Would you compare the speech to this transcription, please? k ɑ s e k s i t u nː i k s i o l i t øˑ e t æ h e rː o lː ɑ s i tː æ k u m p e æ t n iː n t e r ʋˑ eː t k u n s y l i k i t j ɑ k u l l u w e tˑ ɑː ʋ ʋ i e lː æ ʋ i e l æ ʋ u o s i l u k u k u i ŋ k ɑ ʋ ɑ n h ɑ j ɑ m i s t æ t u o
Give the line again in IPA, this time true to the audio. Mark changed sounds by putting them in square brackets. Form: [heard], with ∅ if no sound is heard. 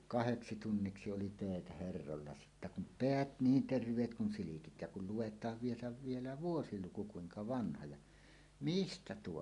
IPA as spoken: k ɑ [h] e k s i t u nː i k s i o l i t øˑ e t æ h e rː o lː ɑ s i tː æ k u m p e æ t n iː n t e r ʋˑ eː t k u n s [i] l i k i t j ɑ k u l l u w e tˑ ɑː ʋ ʋ i e [l] æ ʋ i e l æ ʋ u o s i l u k u k u i ŋ k ɑ ʋ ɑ n h ɑ j ɑ m i s t æ t u o